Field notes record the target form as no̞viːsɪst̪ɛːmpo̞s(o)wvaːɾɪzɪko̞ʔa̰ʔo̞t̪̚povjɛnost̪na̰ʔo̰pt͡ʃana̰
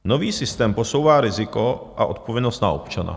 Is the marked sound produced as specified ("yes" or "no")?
yes